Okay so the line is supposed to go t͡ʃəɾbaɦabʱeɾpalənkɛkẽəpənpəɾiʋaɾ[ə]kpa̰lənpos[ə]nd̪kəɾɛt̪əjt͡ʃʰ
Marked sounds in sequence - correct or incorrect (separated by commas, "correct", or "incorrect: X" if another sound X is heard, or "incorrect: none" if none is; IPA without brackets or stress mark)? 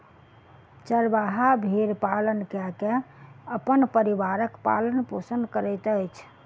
correct, correct